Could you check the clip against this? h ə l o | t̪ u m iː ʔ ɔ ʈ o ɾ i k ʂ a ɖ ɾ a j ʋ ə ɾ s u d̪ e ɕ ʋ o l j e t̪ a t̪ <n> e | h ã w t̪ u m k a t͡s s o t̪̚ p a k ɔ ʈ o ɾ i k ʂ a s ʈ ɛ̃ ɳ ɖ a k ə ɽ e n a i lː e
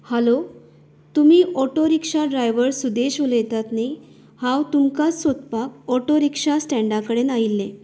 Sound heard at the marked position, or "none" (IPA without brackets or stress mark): n